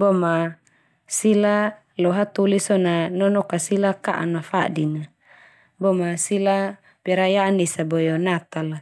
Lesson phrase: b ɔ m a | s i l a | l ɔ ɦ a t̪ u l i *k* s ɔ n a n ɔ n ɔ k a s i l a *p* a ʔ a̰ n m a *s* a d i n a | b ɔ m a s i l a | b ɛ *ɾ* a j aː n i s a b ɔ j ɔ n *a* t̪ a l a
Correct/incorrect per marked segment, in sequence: incorrect, incorrect, incorrect, correct, correct

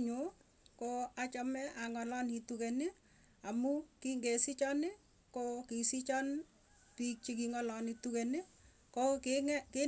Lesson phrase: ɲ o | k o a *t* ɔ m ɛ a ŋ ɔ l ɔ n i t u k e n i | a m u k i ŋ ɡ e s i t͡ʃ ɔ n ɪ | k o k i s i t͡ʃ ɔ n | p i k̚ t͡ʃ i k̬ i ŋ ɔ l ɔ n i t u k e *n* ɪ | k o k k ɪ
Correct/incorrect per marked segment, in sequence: incorrect, correct

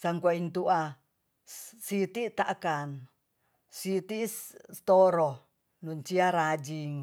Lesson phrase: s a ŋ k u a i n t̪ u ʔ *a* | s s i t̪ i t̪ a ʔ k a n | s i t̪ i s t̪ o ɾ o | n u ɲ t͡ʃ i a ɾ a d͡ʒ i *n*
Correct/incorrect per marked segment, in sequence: correct, incorrect

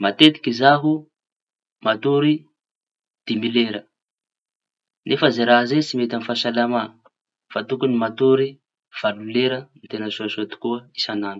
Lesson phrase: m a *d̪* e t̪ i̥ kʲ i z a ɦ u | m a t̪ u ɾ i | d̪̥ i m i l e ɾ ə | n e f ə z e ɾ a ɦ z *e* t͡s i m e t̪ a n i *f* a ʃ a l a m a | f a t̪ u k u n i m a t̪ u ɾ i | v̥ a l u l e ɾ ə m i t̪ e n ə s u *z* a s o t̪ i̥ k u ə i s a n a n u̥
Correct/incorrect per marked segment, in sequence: incorrect, correct, correct, incorrect

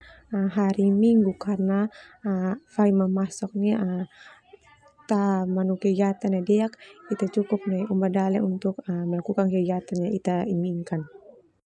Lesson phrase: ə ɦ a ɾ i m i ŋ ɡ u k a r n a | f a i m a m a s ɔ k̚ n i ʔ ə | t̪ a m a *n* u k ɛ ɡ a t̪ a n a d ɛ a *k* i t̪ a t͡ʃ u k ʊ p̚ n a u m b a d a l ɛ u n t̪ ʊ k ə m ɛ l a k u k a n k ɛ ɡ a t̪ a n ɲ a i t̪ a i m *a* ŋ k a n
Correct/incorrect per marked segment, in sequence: correct, correct, incorrect

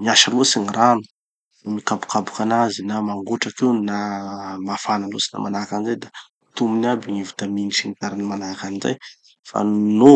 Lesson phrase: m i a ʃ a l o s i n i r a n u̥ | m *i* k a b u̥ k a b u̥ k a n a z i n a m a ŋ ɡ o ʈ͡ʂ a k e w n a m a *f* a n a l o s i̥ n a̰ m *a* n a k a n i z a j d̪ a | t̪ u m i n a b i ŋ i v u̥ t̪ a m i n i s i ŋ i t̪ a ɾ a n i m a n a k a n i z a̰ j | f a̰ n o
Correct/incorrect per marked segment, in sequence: correct, correct, correct

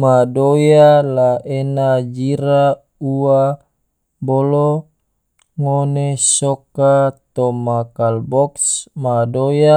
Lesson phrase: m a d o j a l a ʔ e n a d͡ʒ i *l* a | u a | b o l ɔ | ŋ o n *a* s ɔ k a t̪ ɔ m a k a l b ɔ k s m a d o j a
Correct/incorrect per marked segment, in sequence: incorrect, incorrect

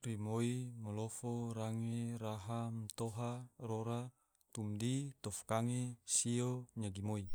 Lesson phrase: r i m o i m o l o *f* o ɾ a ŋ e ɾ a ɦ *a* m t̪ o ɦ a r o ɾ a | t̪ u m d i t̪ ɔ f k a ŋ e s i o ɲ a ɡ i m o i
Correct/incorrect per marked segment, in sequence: correct, correct

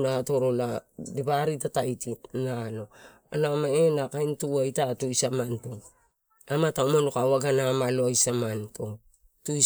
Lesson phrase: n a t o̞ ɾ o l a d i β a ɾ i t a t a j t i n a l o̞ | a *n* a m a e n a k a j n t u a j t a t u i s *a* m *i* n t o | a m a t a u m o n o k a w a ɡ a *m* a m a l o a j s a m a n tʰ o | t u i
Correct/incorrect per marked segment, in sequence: correct, correct, incorrect, incorrect

